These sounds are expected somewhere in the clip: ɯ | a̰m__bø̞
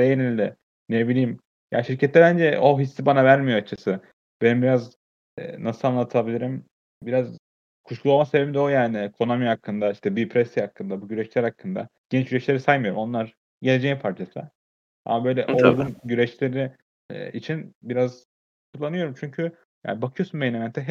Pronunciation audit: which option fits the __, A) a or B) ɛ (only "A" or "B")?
A